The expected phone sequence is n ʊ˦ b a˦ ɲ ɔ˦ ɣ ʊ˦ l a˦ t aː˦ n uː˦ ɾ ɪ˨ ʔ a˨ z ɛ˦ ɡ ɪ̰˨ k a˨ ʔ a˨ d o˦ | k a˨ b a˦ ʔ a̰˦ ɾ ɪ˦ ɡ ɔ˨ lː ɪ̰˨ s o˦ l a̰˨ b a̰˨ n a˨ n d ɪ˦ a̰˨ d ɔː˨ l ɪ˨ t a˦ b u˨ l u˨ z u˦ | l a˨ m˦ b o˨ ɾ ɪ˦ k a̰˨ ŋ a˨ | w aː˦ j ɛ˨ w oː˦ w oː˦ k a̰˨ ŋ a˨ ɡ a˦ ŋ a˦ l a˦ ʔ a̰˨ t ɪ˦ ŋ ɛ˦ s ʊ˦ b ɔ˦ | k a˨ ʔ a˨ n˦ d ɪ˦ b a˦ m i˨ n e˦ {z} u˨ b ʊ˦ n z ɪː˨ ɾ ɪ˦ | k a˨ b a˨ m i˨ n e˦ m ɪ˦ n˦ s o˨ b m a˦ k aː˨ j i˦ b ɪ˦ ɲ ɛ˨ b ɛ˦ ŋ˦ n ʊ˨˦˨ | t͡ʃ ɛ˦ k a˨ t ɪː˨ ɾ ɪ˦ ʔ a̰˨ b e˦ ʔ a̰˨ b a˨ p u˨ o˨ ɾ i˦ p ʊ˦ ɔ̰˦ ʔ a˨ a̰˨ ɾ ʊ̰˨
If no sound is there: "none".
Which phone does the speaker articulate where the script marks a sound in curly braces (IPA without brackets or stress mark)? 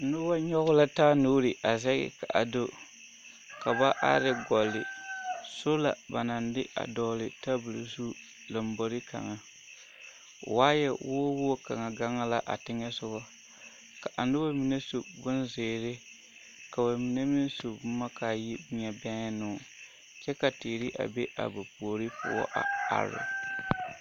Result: s